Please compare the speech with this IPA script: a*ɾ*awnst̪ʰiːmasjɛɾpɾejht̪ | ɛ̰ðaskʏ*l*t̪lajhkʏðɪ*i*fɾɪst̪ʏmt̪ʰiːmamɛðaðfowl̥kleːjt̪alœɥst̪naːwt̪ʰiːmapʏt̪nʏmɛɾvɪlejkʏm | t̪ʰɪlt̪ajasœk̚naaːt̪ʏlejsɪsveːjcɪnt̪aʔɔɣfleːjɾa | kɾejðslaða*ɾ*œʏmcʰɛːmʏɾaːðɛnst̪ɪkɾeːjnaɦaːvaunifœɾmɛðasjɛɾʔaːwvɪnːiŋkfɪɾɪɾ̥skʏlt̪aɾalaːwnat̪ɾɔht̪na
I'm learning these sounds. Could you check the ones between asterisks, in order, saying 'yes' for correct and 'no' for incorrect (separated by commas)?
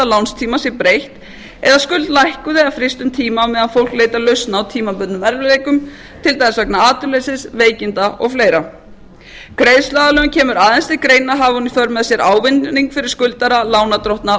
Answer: no, yes, no, no